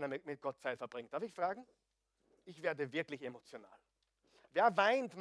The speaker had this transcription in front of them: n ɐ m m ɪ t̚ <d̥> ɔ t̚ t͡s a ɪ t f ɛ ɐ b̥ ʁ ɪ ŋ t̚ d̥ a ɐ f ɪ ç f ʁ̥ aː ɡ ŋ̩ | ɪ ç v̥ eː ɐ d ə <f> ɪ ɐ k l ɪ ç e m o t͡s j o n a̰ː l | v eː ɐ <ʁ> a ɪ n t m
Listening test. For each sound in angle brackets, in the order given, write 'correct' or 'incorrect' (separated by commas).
incorrect, incorrect, incorrect